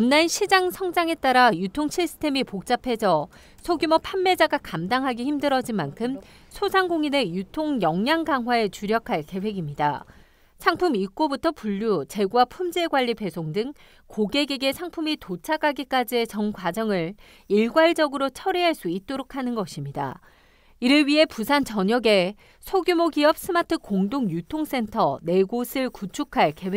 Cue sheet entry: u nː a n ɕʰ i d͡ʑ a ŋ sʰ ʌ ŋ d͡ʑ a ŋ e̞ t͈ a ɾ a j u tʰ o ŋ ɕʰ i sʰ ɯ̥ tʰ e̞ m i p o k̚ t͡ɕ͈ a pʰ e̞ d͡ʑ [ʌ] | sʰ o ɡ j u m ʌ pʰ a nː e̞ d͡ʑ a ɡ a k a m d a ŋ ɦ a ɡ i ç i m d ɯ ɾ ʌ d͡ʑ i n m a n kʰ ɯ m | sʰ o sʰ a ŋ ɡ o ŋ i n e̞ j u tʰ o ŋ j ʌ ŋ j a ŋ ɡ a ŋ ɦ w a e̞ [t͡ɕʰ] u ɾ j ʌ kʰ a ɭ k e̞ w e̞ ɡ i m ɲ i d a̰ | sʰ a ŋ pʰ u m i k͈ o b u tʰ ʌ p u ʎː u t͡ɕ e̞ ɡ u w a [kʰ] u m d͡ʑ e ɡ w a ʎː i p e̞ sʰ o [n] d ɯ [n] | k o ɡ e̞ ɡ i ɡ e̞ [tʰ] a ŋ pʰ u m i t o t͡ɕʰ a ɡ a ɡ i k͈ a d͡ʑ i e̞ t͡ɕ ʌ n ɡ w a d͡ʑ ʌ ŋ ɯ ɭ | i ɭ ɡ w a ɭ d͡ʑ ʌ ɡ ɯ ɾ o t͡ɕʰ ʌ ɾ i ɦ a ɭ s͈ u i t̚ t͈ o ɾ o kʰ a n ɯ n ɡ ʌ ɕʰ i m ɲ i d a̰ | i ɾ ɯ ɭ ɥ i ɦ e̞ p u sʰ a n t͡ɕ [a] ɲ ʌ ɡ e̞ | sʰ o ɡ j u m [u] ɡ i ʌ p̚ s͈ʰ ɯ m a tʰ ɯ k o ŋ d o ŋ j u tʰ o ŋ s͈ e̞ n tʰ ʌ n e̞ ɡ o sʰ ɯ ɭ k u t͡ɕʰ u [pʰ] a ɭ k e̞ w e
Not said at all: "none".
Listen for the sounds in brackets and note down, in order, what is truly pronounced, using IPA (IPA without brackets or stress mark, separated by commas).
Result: ʌ, t͡ɕ, pʰ, ŋ, ŋ, sʰ, ʌ, o, kʰ